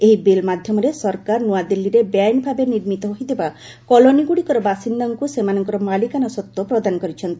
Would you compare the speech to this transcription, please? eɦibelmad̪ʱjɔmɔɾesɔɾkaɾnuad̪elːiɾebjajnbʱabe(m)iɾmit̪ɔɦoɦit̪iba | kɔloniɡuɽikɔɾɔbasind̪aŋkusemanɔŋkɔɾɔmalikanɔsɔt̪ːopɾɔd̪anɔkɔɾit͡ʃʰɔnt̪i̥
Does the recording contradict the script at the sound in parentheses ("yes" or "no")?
yes